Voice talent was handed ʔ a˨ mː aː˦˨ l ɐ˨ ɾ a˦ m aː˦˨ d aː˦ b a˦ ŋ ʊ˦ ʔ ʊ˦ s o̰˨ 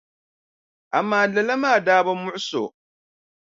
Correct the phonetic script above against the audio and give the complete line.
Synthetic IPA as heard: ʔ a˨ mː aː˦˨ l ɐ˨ l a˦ m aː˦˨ d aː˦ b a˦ m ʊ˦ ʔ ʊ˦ s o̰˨